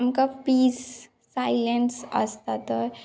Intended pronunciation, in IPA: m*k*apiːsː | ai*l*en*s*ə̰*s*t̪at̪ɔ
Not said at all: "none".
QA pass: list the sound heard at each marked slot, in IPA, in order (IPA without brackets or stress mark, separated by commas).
k, l, s, s